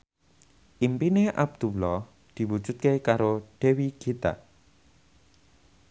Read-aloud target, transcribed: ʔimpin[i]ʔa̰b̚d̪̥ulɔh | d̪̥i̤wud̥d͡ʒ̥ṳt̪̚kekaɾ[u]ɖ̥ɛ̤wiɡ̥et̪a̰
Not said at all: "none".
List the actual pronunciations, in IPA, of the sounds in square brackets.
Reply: e, o

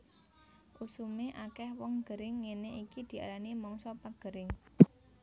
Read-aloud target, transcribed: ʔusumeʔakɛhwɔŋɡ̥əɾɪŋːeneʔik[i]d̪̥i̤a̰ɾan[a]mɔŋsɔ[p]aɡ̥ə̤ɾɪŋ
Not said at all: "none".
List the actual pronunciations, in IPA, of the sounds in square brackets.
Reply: i, i, p

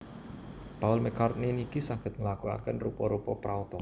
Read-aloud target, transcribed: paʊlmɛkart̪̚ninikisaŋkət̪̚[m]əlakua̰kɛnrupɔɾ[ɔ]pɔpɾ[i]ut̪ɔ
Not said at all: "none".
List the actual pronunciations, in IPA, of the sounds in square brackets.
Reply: ŋ, u, a

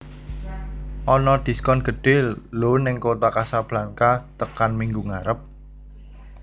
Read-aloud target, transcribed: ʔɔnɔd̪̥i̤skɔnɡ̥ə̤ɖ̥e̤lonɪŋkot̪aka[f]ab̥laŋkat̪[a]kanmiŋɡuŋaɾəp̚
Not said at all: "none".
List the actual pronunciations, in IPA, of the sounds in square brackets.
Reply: s, ə

